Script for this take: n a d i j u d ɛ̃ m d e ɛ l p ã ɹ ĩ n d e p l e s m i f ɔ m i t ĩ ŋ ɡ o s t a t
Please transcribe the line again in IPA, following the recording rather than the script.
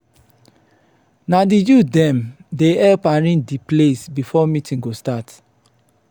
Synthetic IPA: n a d i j u d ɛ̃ m d e ɛ l p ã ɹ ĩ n d i p l e s b i f ɔ m i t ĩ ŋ ɡ o s t a t